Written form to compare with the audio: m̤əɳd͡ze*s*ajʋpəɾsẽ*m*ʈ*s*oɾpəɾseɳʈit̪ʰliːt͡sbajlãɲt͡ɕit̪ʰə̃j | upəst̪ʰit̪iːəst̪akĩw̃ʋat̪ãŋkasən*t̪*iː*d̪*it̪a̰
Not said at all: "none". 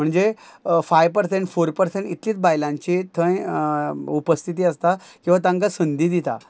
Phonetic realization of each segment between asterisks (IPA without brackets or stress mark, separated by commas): f, ɳ, f, d̪, d̪